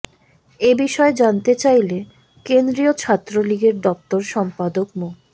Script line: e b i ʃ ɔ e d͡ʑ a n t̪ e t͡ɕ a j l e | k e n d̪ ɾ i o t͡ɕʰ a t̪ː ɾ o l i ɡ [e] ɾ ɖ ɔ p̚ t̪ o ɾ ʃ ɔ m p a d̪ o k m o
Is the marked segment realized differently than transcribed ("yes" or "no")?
no